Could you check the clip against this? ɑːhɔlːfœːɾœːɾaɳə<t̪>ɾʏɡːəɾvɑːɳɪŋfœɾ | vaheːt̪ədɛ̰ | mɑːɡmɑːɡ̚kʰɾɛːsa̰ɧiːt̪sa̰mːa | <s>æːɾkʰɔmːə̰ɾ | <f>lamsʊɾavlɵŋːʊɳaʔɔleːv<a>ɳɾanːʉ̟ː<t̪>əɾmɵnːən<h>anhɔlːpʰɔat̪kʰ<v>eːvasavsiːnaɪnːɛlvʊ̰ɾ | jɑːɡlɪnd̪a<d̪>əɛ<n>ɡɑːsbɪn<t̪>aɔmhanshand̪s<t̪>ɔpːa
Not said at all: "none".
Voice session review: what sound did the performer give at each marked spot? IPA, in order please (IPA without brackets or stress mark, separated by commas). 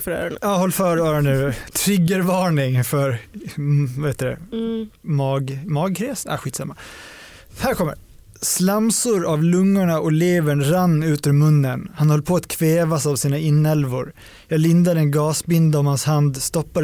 t̪ʰ, h, s, ə, t̪, h, v, d̪, n, d̪, t̪